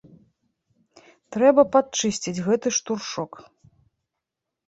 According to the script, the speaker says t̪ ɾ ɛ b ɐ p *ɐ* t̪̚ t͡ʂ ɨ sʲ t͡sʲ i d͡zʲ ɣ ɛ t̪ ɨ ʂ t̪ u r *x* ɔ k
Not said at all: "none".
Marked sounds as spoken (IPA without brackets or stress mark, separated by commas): a, ʂ